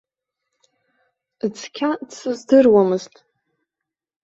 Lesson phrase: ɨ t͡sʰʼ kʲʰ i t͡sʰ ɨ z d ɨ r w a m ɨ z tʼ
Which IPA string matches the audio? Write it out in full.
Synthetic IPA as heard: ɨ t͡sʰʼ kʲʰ a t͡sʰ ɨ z d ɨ r w a m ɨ z tʼ